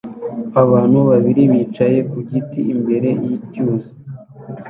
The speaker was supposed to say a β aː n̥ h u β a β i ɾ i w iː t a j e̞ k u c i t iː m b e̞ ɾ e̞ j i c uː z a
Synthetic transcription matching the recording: a β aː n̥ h u β a β i ɾ i β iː t͡ʃ a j e̞ k u ɟ i t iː m b e̞ ɾ e̞ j i c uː z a